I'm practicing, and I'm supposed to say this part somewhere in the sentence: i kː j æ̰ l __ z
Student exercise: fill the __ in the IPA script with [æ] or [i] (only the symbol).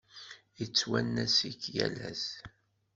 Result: æ